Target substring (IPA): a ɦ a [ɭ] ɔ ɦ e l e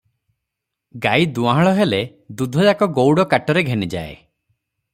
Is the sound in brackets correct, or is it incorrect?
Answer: correct